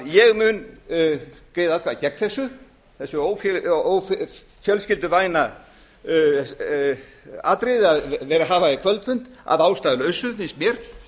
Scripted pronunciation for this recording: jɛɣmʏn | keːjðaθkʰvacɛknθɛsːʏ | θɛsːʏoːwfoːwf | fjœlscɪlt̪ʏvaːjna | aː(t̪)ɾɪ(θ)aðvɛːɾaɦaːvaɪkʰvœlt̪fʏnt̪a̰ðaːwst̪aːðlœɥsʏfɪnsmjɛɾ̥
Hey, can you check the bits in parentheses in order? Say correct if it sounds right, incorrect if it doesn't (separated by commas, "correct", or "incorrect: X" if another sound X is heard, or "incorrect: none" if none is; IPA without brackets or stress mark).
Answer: correct, incorrect: ð